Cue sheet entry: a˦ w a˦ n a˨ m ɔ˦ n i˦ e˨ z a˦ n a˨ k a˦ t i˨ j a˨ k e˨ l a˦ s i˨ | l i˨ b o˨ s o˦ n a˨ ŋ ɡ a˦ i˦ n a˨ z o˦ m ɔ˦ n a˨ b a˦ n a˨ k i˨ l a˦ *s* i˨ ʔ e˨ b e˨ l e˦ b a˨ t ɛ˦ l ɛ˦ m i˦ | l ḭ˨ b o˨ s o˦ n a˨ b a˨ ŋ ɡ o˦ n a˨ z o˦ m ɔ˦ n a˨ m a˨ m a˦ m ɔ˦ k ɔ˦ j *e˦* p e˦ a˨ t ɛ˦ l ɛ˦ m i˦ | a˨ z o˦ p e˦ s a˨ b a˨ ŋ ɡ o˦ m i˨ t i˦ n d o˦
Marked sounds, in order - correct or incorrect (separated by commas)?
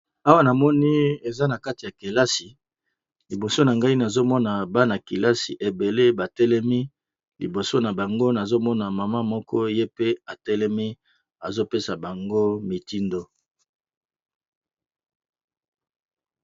correct, correct